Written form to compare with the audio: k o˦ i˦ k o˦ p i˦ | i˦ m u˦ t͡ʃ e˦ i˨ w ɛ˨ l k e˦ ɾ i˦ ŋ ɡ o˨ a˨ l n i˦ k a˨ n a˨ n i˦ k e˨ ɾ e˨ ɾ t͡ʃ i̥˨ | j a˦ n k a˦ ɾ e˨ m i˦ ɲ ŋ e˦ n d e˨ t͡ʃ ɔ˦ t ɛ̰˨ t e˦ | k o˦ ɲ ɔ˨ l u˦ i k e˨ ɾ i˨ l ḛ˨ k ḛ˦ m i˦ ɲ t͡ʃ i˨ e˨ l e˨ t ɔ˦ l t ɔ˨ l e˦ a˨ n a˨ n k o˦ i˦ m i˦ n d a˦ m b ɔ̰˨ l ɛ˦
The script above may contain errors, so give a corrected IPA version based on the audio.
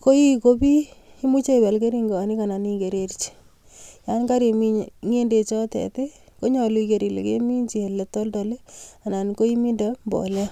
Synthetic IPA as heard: k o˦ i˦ k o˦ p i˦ | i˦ m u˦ t͡ʃ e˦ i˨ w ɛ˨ l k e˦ ɾ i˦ ŋ ɡ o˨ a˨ n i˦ k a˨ n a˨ n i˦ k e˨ ɾ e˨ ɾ t͡ʃ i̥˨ | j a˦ n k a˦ ɾ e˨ m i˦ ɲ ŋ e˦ n d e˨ t͡ʃ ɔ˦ t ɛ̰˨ t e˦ | k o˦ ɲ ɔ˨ l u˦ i k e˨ ɾ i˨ l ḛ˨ k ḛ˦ m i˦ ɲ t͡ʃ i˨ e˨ l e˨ t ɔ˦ l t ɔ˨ l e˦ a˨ n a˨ n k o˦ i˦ m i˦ n d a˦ m b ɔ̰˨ l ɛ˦